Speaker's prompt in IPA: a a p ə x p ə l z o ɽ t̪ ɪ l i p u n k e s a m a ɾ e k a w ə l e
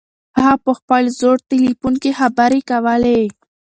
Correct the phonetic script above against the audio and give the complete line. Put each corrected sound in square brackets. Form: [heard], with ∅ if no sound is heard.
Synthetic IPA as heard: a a p ə x p ə l z o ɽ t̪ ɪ l i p u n k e [x] a [b] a ɾ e k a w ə l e

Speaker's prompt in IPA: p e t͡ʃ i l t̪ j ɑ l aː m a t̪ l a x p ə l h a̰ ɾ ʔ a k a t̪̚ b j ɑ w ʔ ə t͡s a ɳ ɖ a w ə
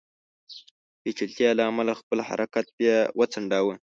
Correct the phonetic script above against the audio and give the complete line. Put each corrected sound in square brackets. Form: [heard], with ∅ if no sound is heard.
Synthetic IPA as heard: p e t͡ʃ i l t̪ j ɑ l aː m a [∅] l a x p ə l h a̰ ɾ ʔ a k a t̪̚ b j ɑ w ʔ ə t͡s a ɳ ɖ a w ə

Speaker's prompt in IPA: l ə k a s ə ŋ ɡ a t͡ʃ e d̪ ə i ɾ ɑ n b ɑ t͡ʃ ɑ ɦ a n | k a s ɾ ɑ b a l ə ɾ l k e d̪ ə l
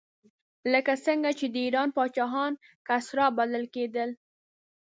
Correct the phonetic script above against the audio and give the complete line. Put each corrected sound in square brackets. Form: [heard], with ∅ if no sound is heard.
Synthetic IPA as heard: l ə k a s ə ŋ ɡ a t͡ʃ e d̪ ə i ɾ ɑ n [p] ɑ t͡ʃ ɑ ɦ [ɑ] n | k a s ɾ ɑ b a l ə [∅] l k e d̪ ə l

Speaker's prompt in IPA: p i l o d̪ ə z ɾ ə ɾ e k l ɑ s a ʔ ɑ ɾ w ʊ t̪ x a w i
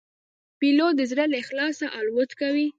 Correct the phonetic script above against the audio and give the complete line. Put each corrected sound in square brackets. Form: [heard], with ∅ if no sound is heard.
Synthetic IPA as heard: p i l o d̪ ə z ɾ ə [l] e [x] l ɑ s a ʔ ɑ [l] w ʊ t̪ [k] a w i

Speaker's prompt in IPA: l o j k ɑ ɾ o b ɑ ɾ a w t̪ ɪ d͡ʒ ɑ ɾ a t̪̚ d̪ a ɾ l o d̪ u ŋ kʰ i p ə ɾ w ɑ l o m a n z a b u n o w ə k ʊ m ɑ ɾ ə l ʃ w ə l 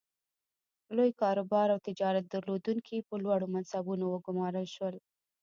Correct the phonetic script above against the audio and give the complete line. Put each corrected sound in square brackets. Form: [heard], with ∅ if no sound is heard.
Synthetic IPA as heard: l o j k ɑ ɾ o b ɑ ɾ a w t̪ ɪ d͡ʒ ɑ ɾ a t̪̚ d̪ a ɾ l o d̪ u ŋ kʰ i p ə [l] w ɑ [ɽ] o m a n [s] a b u n o w ə [ɡ] ʊ m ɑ ɾ ə l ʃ w ə l

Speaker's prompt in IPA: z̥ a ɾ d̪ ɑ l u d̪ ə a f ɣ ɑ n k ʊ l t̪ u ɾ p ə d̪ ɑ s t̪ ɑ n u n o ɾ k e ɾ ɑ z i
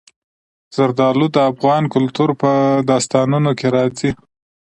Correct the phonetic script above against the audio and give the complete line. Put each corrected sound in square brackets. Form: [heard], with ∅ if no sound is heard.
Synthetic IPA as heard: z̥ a ɾ d̪ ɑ l u d̪ ə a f ɣ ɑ n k ʊ l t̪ u ɾ p ə d̪ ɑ s t̪ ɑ n u n o [∅] k e ɾ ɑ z i

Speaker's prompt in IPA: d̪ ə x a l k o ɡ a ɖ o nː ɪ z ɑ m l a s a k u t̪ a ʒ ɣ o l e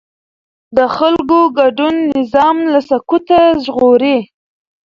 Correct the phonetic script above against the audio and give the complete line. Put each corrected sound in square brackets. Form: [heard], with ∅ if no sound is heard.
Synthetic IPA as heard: d̪ ə x a l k o ɡ a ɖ [u] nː ɪ z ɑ m l a s a k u t̪ a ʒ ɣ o [ɾ] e

